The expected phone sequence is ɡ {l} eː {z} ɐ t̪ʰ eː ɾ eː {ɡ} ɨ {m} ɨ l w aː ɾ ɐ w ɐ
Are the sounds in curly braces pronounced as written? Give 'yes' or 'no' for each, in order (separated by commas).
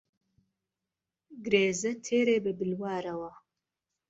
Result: no, yes, no, no